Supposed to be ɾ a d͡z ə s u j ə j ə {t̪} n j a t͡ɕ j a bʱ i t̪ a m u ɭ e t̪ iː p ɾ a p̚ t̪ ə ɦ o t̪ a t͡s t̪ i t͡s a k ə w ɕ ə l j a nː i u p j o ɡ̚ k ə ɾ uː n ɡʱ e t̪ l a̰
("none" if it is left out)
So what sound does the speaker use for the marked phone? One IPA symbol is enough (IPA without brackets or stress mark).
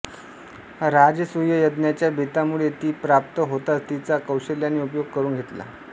d̪